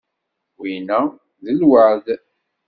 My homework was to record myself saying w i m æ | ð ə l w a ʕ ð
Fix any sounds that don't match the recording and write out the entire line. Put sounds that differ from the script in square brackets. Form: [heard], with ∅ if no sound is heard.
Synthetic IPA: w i [n] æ | ð ə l w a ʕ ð